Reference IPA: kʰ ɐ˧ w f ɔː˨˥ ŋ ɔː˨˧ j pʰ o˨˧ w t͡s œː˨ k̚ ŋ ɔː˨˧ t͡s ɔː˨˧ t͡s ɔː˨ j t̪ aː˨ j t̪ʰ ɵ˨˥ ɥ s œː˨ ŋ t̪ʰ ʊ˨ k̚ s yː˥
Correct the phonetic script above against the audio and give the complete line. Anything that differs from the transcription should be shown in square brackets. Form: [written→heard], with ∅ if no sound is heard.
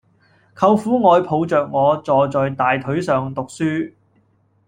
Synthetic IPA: kʰ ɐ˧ w f [ɔː˨˥→uː˨˥] ŋ ɔː˨˧ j pʰ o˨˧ w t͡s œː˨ k̚ ŋ ɔː˨˧ t͡s ɔː˨˧ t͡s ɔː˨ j t̪ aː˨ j t̪ʰ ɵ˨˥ ɥ s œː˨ ŋ [t̪ʰ→t̪] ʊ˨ k̚ s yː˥